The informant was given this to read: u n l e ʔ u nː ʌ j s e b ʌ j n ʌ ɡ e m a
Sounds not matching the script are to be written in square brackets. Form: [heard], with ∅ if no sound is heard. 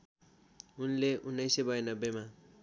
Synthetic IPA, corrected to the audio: u n l e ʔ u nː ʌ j s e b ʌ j n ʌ [b] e m a